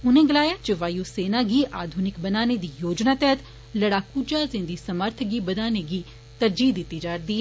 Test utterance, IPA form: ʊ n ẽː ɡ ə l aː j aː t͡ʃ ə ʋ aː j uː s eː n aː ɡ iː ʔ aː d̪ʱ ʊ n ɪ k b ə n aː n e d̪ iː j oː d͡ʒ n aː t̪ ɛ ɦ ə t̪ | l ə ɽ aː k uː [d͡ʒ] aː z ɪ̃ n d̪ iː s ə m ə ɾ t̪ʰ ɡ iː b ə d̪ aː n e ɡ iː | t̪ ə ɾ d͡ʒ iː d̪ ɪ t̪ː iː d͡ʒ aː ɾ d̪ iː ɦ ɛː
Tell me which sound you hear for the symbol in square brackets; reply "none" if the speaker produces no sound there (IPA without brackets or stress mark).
d͡ʒ